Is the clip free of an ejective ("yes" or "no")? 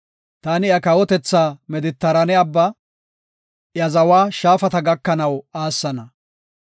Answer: yes